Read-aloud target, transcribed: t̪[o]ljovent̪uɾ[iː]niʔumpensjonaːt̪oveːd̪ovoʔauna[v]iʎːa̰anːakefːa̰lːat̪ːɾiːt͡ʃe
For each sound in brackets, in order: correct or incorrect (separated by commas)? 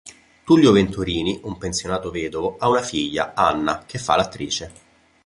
incorrect, correct, incorrect